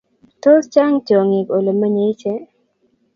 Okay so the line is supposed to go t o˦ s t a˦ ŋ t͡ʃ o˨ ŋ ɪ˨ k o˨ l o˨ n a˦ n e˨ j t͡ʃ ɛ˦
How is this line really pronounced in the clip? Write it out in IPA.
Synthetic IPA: t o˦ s t͡ʃ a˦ ŋ t͡ʃ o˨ ŋ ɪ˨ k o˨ l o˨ m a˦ ɲ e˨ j t͡ʃ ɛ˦